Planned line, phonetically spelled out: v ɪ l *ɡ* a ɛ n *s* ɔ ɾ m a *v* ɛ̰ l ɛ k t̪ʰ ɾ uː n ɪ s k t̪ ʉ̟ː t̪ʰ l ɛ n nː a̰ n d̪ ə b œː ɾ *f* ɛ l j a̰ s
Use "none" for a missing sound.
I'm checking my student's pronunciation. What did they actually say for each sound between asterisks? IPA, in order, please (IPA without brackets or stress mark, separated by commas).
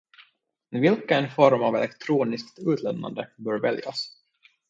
k, f, v, v